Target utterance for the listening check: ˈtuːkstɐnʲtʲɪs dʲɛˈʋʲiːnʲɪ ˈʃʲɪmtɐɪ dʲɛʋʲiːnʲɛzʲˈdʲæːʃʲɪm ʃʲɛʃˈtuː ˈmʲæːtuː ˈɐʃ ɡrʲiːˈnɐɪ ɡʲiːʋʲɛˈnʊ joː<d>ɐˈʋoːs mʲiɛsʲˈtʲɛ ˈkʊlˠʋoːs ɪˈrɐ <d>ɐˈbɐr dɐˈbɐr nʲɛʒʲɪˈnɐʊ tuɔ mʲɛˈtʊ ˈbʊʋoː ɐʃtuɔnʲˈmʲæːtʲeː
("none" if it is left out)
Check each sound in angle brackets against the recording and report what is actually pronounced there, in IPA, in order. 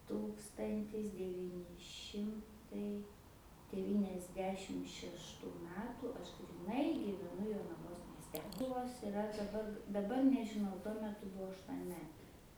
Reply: n, d

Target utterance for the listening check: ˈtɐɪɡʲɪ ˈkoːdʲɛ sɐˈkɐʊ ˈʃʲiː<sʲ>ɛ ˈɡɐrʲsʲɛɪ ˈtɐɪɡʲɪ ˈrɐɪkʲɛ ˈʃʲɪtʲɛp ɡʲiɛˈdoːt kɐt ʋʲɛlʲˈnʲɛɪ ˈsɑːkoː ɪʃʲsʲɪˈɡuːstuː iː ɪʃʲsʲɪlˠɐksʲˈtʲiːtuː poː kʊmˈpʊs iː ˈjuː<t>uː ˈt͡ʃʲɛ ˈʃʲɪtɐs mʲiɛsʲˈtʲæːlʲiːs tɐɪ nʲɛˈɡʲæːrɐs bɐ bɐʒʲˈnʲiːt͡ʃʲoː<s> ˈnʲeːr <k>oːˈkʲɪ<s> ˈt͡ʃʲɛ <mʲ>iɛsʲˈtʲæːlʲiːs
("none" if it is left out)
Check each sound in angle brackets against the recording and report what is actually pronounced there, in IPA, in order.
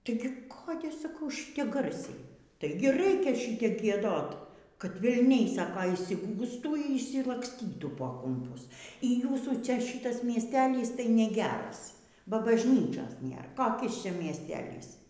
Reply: tʲ, s, s, k, s, mʲ

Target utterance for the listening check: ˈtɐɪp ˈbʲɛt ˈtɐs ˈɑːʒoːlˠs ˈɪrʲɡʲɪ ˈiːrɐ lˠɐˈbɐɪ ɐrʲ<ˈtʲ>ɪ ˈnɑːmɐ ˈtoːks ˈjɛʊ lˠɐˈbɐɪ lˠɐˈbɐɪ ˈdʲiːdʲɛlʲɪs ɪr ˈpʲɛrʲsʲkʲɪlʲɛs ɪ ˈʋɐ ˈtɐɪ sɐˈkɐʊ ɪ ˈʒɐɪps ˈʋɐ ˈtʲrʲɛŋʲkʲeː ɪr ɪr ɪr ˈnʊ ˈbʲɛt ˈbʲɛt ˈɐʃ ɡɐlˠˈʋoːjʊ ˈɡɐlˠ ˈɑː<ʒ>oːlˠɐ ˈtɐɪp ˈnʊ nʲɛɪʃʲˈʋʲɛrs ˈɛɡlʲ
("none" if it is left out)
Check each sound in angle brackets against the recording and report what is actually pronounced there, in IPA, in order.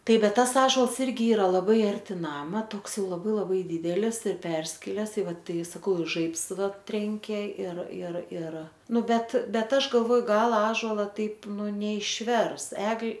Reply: tʲ, ʒ

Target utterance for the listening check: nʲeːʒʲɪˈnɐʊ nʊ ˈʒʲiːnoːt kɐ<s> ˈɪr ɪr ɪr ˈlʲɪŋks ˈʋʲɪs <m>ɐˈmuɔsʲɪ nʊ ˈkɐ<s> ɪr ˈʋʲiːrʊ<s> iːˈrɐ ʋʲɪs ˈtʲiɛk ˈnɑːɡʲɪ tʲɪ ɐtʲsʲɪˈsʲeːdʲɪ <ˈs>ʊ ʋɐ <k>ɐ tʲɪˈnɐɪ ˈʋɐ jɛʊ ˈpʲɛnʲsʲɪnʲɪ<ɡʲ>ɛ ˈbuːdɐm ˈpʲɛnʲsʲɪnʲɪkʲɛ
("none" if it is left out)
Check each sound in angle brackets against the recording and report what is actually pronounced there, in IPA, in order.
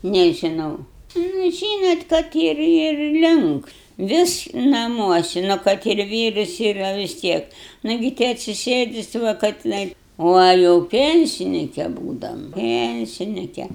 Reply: t, n, t, s, s, k, kʲ

